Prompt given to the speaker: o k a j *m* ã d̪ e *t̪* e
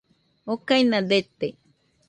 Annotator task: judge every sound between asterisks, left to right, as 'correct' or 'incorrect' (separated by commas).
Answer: incorrect, correct